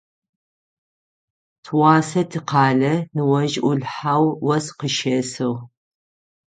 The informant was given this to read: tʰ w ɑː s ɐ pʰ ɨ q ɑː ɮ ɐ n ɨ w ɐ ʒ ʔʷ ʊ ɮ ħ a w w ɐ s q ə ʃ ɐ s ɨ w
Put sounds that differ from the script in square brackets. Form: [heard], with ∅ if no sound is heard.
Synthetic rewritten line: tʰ w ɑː s ɐ [tʰ] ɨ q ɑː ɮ ɐ n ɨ w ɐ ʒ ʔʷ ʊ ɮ ħ a w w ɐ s q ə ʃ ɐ s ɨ w